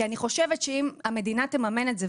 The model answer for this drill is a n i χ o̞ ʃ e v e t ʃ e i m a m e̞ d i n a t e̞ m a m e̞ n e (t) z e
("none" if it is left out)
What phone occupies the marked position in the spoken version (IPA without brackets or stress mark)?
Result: t